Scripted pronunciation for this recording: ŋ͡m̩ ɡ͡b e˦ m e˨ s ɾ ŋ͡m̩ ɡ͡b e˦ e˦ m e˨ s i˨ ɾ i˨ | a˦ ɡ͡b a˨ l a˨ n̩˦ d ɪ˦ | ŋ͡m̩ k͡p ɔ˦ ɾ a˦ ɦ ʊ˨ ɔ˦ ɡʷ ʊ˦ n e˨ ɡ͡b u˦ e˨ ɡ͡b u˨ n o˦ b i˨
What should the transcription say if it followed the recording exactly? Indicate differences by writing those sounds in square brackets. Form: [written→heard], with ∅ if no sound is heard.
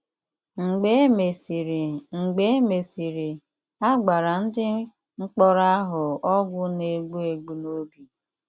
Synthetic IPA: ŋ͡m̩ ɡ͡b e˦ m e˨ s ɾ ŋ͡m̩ ɡ͡b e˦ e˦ m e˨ s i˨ ɾ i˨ | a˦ ɡ͡b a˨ [l→ɾ] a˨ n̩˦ d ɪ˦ | ŋ͡m̩ k͡p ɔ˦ ɾ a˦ ɦ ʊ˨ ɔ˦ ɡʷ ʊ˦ n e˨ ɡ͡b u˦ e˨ ɡ͡b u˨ n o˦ b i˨